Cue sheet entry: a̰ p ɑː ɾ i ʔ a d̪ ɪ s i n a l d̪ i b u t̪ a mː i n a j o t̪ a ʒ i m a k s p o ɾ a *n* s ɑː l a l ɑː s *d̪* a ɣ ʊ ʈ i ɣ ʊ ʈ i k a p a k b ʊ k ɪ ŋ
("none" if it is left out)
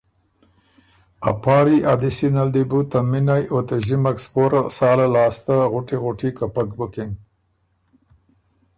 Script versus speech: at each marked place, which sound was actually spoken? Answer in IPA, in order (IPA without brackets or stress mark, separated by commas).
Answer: none, t̪